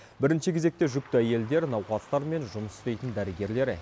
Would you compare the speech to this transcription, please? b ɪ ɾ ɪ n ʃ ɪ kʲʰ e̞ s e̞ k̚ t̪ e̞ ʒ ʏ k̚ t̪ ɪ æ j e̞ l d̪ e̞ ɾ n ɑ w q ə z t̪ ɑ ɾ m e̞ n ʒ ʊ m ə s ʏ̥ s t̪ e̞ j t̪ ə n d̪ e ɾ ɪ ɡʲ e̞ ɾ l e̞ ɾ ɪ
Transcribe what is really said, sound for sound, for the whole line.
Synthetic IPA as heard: b ɪ ɾ ɪ n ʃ ɪ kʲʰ e̞ z e̞ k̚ t̪ e̞ ʒ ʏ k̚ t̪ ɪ æ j e̞ l d̪ e̞ ɾ n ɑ w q ɑ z t̪ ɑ ɾ m e̞ n ʒ ʊ m ə s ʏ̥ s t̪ e̞ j t̪ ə n d̪ æ ɾ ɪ ɡʲ e̞ ɾ l e̞ ɾ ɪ